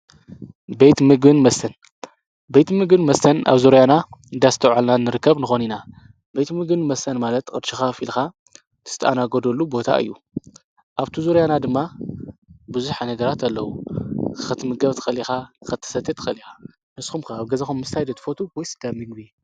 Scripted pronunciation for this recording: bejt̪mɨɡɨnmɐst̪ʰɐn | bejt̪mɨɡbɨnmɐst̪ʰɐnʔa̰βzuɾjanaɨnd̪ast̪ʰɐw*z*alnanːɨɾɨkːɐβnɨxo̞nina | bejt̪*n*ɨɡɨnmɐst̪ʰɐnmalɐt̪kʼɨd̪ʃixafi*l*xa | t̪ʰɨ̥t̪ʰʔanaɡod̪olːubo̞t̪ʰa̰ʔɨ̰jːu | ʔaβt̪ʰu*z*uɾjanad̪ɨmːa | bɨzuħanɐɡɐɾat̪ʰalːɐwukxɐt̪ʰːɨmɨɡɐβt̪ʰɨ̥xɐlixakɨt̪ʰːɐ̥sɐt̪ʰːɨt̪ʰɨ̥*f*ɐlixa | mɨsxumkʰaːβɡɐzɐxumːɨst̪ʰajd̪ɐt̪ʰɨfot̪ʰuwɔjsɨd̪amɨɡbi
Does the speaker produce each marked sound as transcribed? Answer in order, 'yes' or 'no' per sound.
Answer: no, no, yes, yes, no

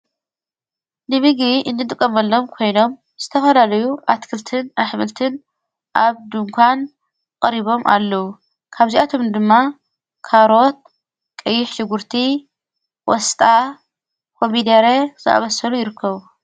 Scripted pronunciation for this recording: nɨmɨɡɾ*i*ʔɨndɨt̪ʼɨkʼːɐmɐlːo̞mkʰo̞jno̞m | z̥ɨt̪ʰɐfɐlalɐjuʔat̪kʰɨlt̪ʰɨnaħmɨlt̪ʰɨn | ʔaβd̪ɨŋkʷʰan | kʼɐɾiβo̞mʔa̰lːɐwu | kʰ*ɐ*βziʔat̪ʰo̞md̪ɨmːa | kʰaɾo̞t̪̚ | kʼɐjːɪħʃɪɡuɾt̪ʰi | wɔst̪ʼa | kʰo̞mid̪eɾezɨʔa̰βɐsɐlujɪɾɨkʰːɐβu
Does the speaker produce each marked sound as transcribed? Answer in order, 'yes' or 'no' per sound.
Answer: yes, no

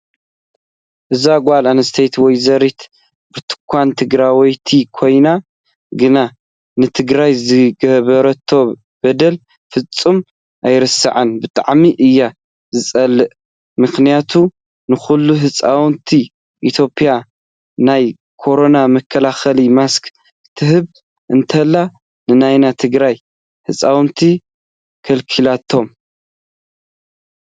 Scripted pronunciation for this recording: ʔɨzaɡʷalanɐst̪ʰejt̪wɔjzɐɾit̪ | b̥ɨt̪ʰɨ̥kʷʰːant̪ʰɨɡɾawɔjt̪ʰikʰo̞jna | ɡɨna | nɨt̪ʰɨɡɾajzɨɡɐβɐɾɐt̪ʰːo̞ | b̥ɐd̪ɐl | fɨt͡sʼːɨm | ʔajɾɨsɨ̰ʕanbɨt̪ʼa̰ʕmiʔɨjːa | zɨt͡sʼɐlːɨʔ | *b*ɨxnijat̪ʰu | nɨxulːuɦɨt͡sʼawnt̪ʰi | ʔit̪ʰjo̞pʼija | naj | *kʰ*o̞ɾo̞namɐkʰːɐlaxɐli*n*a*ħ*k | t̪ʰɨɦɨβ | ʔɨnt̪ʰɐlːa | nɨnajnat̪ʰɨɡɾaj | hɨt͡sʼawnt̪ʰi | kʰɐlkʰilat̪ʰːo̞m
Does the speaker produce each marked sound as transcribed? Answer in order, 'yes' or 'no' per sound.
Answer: no, yes, no, no

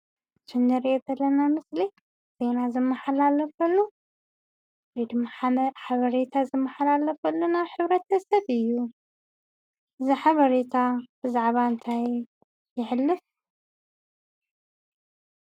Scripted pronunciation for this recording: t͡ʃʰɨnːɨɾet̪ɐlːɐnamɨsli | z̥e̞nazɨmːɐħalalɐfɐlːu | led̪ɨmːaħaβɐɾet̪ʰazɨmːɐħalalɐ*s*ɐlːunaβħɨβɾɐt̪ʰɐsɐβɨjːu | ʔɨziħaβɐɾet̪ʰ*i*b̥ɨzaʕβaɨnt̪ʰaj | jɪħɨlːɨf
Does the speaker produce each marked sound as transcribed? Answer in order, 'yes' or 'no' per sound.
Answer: no, no

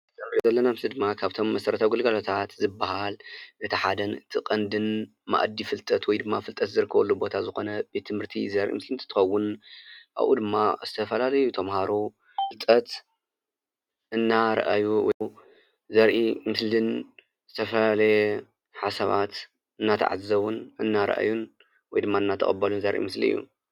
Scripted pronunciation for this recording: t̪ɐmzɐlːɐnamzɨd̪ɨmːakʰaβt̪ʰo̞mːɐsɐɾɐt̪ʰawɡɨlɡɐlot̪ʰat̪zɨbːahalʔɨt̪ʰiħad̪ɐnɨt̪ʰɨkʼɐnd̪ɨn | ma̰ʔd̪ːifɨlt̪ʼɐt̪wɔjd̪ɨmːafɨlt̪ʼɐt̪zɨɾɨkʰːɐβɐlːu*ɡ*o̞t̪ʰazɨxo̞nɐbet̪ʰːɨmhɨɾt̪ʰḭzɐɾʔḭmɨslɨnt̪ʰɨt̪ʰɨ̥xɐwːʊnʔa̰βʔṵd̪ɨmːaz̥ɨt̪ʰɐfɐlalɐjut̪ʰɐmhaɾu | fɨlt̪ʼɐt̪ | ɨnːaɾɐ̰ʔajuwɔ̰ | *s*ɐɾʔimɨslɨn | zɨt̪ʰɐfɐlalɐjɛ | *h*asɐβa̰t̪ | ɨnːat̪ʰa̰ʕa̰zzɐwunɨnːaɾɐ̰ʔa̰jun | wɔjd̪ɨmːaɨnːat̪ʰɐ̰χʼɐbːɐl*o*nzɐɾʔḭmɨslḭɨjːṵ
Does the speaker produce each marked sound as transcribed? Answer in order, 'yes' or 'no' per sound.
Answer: no, no, no, no

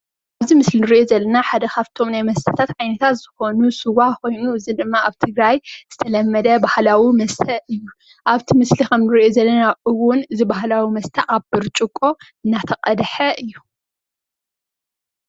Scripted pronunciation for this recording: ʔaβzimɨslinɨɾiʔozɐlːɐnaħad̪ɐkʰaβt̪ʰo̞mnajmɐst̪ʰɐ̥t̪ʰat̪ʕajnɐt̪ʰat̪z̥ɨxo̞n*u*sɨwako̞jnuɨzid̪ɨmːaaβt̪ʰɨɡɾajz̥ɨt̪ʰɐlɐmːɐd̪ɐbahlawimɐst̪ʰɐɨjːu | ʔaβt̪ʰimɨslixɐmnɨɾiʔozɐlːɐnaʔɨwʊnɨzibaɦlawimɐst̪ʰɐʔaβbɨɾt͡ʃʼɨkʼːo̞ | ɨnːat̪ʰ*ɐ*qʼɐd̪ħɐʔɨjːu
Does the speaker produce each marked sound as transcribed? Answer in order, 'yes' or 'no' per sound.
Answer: yes, yes

